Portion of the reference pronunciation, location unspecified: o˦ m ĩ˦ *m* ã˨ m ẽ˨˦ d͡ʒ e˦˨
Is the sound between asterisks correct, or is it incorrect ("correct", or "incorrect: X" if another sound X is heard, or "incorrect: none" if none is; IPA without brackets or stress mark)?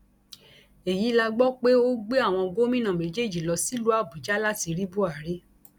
incorrect: n